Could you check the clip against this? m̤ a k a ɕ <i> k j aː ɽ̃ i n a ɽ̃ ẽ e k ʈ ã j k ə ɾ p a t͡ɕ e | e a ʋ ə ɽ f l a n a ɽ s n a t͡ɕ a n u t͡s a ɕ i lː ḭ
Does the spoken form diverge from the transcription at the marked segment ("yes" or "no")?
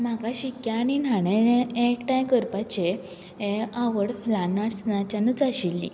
no